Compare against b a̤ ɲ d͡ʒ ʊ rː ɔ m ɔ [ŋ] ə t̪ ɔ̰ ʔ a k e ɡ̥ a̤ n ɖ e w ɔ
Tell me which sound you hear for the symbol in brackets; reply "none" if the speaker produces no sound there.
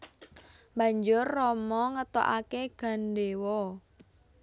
ŋ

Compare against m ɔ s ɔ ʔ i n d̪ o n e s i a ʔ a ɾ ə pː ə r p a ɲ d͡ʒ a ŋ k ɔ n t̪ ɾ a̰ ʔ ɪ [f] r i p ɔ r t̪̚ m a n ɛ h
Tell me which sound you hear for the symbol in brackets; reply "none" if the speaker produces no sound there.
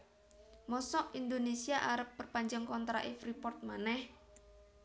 f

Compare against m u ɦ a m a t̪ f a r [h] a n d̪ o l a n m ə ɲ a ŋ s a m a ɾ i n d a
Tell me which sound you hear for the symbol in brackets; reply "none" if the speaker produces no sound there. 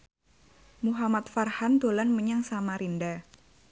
h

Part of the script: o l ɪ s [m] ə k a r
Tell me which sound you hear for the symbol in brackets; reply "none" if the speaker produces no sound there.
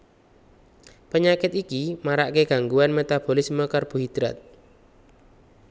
m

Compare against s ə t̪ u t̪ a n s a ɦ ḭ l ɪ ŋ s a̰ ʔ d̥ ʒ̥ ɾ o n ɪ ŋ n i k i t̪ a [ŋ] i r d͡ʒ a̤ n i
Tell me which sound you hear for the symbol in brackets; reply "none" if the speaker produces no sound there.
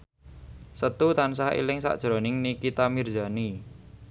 m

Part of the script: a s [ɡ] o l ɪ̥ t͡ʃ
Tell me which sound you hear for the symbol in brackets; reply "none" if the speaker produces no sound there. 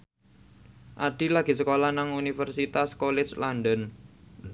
k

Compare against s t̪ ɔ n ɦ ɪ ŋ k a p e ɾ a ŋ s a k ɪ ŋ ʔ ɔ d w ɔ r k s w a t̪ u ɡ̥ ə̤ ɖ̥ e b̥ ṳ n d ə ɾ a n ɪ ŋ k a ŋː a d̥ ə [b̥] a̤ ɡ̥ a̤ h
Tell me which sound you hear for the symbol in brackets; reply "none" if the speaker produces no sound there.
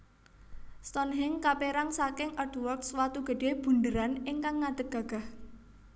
ɡ̥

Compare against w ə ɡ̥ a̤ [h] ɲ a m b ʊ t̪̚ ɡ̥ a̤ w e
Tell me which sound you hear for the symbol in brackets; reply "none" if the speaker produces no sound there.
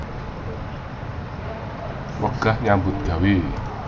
h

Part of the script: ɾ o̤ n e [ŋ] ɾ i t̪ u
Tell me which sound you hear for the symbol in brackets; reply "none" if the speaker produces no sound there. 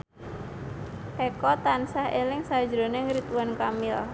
ŋ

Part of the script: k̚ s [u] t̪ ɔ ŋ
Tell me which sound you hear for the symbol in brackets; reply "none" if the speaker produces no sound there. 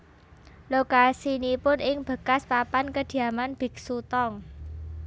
u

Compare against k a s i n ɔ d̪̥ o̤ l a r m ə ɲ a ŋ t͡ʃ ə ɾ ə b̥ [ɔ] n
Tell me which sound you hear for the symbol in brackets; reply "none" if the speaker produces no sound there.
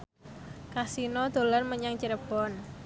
ɔ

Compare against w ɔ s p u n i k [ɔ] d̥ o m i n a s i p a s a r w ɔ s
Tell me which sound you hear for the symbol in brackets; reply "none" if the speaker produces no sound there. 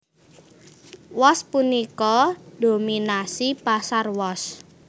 ɔ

